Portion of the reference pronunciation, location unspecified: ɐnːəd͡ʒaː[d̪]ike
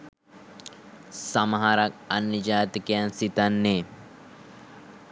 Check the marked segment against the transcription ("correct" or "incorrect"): incorrect